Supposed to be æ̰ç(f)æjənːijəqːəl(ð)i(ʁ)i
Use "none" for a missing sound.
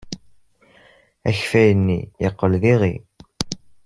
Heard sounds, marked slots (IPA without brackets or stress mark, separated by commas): f, ð, ʁ